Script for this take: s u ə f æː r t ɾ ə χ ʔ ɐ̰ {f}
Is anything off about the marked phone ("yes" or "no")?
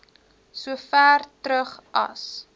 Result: yes